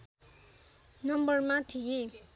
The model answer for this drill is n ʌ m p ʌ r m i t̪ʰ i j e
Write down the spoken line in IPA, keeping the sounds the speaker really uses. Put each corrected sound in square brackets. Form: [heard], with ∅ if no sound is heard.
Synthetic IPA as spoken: n ʌ m [b] ʌ r m [a] t̪ʰ i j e

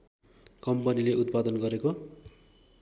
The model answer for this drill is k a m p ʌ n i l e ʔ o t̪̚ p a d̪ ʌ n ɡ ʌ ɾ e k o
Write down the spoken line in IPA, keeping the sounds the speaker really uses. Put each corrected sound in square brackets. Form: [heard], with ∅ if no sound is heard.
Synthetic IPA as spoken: k [ʌ] m p ʌ n i l e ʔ [u] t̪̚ p a d̪ ʌ n ɡ ʌ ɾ e k o

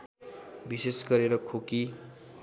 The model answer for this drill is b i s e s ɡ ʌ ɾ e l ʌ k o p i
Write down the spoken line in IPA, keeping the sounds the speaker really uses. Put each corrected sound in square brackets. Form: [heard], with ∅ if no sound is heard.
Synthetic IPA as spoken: b i s e s ɡ ʌ ɾ e [ɾ] ʌ [kʰ] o [k] i

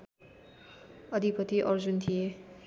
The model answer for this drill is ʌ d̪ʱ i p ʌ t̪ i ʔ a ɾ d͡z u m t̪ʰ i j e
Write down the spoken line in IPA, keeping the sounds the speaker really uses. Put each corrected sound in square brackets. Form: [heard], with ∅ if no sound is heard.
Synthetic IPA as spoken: ʌ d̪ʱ i p ʌ t̪ i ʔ [ʌ] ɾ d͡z u [n] t̪ʰ i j e

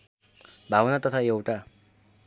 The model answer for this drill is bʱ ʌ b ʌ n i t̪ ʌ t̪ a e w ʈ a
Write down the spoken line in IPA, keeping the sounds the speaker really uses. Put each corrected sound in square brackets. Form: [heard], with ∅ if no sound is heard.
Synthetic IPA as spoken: bʱ [a] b ʌ n [a] t̪ ʌ [t̪ʰ] a e w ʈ a

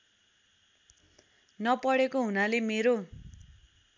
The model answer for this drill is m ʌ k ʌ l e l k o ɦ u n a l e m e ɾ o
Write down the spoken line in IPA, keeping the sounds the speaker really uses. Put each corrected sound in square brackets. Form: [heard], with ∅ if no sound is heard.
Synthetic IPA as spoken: [n] ʌ [p] ʌ [ɽ] e [∅] k o ɦ u n a l e m e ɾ o

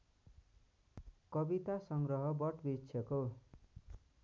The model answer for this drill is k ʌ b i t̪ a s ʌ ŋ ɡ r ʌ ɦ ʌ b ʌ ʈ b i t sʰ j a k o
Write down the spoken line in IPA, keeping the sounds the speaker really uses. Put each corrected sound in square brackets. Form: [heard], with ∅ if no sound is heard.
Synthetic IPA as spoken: k ʌ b i t̪ a s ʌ ŋ ɡ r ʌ ɦ ʌ b ʌ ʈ b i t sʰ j [ʌ] k o

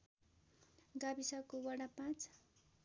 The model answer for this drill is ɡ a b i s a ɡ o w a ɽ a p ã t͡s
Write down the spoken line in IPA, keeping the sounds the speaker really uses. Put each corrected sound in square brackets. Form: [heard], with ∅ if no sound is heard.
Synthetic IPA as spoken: ɡ a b i s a [k] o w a ɽ a p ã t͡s

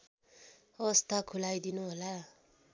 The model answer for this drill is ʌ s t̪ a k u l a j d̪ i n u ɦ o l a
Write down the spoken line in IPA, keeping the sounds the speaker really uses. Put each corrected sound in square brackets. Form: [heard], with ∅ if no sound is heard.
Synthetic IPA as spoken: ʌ s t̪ a [kʰ] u l a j d̪ i n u ɦ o l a

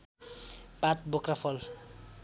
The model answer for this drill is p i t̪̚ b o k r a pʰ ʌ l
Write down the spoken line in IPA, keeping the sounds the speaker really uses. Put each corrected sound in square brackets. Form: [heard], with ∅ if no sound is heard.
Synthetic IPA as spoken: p [a] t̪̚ b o k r a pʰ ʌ l

